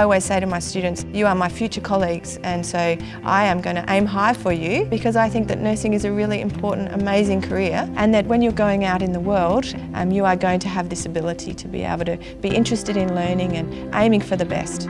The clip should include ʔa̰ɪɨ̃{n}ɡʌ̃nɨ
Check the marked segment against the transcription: incorrect: m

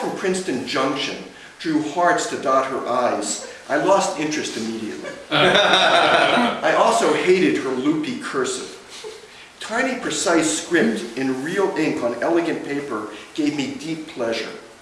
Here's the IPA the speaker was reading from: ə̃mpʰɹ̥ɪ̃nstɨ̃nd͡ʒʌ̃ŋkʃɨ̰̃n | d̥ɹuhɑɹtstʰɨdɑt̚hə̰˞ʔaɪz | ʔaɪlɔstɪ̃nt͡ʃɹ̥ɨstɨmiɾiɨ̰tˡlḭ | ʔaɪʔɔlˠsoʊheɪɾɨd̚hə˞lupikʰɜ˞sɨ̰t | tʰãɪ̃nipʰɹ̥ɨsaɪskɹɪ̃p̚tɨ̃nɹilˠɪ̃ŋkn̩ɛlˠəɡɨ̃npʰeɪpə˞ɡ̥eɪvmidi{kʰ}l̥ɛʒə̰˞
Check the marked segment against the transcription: incorrect: pʰ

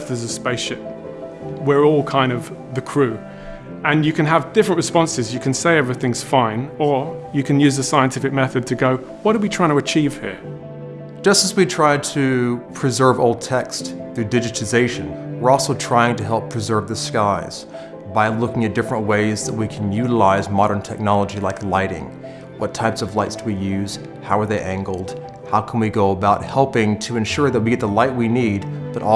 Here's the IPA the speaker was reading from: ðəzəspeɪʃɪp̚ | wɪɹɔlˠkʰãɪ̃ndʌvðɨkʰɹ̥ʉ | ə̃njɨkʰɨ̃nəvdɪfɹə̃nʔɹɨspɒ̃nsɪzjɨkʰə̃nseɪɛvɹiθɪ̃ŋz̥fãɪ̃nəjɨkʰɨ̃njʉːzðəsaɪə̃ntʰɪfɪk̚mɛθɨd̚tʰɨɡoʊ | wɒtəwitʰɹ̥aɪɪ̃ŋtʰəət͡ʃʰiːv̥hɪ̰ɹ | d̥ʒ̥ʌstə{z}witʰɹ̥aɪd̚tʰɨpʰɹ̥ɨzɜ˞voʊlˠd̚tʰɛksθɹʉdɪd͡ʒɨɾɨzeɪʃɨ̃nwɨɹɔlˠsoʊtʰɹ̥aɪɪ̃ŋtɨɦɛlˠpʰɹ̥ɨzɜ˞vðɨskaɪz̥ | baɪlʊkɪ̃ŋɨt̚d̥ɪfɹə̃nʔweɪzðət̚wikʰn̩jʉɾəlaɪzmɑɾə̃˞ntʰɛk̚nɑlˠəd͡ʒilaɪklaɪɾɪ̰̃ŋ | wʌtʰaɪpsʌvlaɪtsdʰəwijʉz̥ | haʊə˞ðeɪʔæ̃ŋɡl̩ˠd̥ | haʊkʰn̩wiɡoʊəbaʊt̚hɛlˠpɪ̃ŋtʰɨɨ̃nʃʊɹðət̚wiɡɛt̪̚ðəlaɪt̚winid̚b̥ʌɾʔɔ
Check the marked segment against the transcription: correct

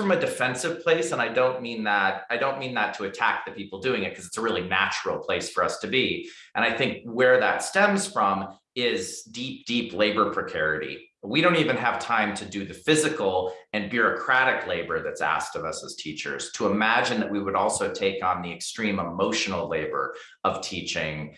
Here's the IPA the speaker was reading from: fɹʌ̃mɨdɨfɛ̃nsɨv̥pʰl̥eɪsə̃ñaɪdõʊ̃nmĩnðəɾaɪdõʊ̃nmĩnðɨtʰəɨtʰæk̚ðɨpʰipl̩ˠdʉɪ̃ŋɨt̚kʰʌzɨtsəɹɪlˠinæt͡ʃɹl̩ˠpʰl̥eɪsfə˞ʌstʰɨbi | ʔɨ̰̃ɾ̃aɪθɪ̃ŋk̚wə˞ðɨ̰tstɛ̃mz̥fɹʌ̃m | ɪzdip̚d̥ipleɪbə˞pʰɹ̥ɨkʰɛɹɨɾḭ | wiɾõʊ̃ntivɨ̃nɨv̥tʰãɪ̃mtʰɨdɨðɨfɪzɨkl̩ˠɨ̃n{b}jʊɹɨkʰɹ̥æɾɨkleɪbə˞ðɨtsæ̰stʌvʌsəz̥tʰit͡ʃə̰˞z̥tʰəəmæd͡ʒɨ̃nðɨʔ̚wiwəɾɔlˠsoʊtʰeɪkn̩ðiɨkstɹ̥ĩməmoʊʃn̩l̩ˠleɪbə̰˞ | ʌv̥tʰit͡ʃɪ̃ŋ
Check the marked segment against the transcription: correct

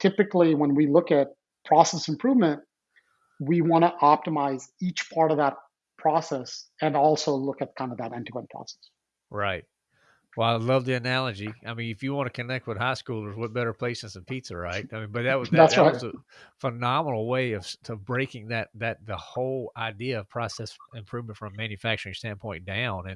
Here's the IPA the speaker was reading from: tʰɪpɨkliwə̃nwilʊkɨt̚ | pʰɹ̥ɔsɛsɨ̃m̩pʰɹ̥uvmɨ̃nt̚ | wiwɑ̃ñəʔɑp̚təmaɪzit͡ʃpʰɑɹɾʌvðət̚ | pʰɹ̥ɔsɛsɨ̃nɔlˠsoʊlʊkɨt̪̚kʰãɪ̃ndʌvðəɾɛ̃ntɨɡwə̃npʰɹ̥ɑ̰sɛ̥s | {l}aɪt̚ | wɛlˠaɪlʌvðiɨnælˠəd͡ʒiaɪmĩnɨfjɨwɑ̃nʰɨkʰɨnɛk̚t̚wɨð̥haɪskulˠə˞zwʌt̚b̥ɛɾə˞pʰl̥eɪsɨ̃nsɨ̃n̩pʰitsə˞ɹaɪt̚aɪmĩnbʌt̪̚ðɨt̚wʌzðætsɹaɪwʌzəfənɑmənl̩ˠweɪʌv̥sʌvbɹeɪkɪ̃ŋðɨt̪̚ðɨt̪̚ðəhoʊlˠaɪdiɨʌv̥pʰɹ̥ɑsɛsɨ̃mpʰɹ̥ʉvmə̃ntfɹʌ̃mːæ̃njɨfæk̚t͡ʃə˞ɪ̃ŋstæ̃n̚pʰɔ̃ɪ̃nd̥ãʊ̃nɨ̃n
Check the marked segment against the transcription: incorrect: ɹ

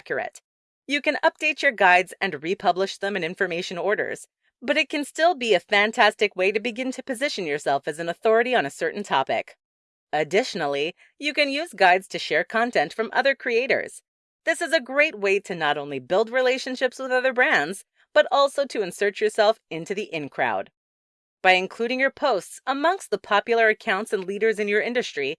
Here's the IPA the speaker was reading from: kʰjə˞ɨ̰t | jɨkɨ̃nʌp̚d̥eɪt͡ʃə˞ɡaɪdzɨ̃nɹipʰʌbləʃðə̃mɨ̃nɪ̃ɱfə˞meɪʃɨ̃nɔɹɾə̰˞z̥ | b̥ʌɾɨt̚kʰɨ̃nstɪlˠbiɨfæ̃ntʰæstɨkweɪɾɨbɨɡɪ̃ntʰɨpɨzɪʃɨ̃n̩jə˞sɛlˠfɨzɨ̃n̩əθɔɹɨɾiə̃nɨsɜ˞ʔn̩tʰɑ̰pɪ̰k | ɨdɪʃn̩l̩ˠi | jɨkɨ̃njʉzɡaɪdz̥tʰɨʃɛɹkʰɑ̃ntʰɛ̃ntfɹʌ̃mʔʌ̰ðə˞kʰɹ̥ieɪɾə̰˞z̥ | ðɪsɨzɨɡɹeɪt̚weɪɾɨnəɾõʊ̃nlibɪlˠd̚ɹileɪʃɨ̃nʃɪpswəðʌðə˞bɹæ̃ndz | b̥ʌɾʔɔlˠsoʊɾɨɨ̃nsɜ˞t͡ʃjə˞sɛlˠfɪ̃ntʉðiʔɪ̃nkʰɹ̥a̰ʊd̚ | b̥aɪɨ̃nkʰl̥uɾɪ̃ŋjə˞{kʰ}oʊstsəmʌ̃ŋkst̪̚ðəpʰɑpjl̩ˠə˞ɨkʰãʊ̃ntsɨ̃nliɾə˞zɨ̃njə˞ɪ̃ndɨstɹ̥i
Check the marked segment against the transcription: incorrect: pʰ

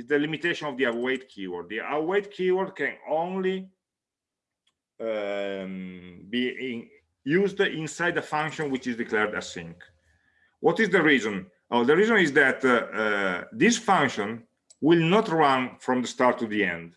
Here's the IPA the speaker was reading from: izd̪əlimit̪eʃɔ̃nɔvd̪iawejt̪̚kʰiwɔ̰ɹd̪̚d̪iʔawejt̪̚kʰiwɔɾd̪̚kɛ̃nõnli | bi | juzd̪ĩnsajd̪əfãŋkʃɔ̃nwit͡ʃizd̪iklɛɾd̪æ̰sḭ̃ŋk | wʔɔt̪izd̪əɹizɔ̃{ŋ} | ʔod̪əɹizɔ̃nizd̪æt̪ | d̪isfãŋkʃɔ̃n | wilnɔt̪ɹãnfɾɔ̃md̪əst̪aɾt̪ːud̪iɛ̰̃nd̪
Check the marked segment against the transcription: incorrect: n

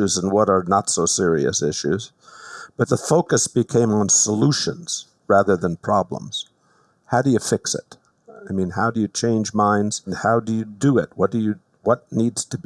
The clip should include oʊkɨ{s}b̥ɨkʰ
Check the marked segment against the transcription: correct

